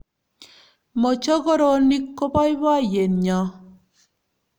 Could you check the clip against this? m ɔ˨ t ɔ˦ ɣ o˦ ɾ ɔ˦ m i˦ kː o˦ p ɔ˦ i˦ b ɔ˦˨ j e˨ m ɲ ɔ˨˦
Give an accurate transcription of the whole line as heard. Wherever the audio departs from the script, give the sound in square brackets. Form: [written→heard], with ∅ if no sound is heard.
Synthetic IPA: m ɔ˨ [t→t͡ʃ] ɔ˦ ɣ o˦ ɾ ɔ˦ [m→n] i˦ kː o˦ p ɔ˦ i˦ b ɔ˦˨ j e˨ [m→n] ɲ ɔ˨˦